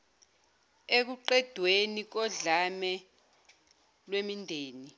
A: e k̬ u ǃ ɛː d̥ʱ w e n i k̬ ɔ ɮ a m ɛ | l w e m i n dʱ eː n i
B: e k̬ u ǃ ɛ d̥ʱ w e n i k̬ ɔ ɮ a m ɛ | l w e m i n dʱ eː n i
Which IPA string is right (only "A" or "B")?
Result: B